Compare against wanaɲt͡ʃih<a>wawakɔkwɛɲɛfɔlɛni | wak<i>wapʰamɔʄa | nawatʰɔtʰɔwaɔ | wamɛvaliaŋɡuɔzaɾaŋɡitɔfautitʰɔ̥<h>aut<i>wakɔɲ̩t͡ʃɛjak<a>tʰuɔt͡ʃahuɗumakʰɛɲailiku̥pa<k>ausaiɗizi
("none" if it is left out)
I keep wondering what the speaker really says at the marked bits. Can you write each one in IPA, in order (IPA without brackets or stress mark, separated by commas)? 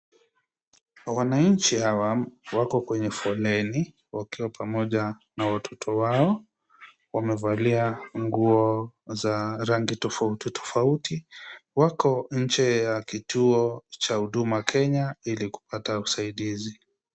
a, i, f, i, i, t